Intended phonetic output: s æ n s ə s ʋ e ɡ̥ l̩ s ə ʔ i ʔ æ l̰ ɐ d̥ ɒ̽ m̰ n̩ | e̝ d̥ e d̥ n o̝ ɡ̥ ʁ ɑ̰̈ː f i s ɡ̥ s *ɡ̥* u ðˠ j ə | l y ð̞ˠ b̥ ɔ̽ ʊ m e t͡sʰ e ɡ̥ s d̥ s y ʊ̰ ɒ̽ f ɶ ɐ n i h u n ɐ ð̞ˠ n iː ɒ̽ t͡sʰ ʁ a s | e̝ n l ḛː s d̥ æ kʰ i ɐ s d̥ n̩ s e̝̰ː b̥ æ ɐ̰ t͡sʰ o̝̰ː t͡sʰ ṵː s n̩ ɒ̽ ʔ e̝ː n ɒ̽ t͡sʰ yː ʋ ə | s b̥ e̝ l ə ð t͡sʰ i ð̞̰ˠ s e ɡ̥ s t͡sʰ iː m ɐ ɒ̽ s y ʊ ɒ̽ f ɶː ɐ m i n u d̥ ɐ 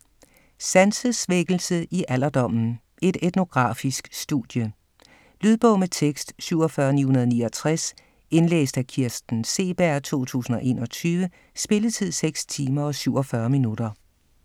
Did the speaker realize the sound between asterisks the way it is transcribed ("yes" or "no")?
no